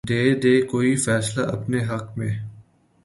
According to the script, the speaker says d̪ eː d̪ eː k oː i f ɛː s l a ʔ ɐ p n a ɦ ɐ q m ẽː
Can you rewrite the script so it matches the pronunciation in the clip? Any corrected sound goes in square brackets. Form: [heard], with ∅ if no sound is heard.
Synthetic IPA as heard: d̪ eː d̪ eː k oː i f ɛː s l a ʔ ɐ p n [e] ɦ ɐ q m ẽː